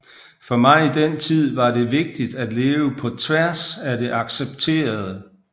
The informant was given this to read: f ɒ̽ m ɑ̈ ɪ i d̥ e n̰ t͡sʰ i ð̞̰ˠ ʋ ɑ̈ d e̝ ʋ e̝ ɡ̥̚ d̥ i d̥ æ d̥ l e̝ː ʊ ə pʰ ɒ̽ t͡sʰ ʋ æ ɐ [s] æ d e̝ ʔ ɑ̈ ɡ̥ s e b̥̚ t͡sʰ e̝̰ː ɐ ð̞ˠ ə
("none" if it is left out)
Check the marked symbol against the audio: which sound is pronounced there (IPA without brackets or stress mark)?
s